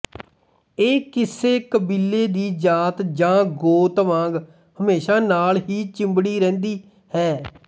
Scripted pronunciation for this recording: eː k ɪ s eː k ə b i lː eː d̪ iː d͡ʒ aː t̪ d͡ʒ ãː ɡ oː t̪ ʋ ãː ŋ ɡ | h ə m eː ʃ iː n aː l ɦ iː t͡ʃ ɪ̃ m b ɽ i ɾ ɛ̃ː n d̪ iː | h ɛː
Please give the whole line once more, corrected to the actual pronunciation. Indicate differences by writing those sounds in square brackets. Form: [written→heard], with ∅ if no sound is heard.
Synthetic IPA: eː k ɪ s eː k ə b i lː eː d̪ iː d͡ʒ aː t̪ d͡ʒ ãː ɡ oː t̪ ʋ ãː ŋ ɡ | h ə m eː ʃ [iː→aː] n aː l ɦ iː t͡ʃ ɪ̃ m b ɽ [i→iː] ɾ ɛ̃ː n d̪ iː | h ɛː